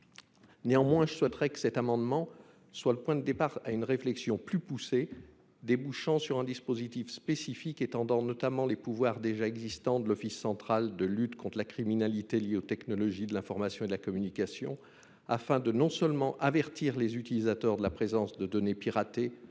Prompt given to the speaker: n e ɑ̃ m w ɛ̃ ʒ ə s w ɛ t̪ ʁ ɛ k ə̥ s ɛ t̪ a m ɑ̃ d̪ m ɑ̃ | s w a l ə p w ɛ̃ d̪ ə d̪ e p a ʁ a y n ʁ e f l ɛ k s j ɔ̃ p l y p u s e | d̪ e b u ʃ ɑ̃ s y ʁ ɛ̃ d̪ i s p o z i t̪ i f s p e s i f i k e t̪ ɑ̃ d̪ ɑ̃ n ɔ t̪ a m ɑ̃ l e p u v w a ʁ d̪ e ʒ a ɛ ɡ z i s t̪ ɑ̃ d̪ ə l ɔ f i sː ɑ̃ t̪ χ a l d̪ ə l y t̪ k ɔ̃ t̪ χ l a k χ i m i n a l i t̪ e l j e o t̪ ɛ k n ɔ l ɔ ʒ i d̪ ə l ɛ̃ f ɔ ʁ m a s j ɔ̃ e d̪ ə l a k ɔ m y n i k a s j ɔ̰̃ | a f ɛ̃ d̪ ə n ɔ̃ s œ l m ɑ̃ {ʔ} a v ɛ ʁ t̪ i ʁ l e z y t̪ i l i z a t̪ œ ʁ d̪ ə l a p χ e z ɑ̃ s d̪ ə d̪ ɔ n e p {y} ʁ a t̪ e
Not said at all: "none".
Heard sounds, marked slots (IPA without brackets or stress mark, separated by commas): ʔ, i